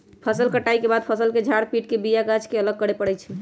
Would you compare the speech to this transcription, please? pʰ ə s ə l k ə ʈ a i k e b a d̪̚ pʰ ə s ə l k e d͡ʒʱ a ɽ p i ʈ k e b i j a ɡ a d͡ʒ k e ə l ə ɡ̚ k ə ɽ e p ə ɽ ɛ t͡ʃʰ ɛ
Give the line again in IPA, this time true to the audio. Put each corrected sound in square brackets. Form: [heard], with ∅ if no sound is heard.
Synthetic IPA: pʰ ə s ə l k ə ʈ a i k e b a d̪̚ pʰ ə s ə l k e d͡ʒʱ a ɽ p i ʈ k e b i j a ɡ a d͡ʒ k e ə l ə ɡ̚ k ə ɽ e p ə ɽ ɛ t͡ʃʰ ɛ